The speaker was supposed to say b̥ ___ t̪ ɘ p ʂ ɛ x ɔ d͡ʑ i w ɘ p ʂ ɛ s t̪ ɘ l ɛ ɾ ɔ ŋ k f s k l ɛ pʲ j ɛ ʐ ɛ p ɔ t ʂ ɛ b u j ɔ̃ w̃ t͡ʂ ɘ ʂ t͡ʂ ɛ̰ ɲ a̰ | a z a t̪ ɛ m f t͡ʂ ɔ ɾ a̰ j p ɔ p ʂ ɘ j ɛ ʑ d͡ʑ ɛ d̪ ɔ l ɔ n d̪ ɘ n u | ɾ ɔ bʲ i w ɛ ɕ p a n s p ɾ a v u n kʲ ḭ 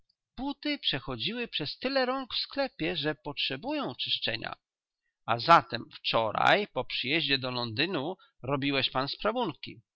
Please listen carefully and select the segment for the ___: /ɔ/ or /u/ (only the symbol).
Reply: u